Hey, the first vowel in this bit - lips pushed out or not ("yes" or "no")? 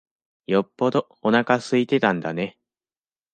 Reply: yes